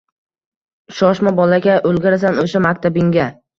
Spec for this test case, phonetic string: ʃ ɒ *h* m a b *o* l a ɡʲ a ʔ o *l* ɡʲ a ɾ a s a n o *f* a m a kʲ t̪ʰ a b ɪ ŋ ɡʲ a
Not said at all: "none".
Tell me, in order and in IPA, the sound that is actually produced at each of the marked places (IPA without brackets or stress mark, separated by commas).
ʃ, ɒ, l, ʃ